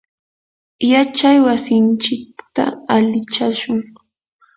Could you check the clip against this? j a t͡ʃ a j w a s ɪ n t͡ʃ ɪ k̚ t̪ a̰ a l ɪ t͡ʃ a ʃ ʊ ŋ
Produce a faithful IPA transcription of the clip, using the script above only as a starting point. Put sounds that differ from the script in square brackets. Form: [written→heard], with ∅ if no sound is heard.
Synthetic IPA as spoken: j a t͡ʃ a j w a s ɪ n t͡ʃ ɪ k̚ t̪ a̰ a l ɪ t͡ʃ a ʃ ʊ ŋ